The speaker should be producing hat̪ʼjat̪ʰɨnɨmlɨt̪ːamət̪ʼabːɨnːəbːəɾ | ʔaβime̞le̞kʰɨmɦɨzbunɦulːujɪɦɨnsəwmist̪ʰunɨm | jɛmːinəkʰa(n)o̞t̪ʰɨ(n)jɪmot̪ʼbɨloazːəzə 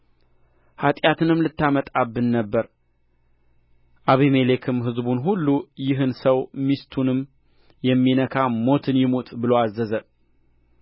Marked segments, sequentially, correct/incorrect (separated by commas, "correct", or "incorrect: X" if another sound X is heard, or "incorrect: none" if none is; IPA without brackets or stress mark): incorrect: m, correct